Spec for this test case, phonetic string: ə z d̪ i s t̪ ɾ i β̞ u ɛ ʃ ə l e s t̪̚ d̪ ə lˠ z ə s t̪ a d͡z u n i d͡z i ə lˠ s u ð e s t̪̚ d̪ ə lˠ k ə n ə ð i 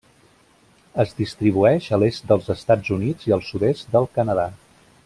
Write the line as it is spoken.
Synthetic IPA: ə z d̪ i s t̪ ɾ i β̞ u ɛ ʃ ə l e s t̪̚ d̪ ə lˠ z ə s t̪ a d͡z u n i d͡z i ə lˠ s u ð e s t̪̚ d̪ ə lˠ k ə n ə ð a